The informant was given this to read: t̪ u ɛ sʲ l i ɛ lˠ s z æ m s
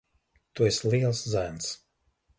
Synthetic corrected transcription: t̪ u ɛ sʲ l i ɛ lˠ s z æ n s